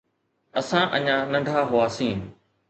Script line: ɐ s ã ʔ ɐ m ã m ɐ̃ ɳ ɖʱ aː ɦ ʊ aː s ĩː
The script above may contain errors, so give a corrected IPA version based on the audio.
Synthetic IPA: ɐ s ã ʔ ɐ ɲ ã n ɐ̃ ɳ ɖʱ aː ɦ ʊ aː s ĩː